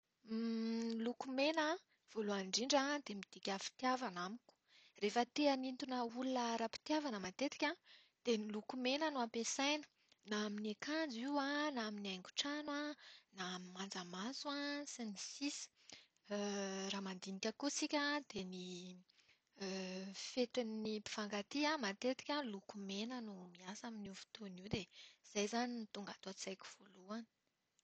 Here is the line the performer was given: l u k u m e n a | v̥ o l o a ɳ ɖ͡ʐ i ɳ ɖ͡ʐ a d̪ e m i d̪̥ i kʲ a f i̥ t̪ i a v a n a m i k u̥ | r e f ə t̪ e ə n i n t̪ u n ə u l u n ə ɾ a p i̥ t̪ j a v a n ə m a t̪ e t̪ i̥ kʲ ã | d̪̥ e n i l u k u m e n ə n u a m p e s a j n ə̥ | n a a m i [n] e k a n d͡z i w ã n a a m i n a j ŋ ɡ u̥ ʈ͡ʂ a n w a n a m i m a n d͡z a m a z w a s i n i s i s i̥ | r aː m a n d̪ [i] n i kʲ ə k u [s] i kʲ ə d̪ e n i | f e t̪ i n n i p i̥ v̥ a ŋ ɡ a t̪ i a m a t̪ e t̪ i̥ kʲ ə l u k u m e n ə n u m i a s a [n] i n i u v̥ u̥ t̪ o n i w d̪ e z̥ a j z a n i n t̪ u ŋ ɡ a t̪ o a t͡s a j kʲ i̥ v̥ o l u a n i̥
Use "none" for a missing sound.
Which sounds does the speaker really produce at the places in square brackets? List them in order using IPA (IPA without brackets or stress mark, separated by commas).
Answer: n, i, s, m